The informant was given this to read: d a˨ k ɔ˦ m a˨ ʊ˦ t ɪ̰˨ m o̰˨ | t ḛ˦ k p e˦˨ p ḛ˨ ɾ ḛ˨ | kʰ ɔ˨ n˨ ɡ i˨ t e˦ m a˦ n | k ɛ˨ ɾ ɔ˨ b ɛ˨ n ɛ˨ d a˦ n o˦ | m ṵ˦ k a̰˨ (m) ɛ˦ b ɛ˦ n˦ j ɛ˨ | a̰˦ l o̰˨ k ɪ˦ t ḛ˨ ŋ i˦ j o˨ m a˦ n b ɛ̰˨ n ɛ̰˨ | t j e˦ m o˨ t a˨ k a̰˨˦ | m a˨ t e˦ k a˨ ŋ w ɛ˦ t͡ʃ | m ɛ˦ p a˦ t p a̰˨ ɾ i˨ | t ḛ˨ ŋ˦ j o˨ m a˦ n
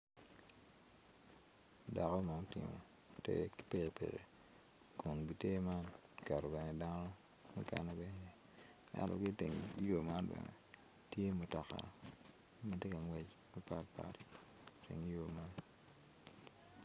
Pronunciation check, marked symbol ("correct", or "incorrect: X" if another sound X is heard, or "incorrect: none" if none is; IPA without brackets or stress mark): incorrect: n